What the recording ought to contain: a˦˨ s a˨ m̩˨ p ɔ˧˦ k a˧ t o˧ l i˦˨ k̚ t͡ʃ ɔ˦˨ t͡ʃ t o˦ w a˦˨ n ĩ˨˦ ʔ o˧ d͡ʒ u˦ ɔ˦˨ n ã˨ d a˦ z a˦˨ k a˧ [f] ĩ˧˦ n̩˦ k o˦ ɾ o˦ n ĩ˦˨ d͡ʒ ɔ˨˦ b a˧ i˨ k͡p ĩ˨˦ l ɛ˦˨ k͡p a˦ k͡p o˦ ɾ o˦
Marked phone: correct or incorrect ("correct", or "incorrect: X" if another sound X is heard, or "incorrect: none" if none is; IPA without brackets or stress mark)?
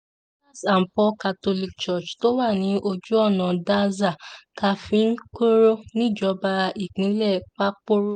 correct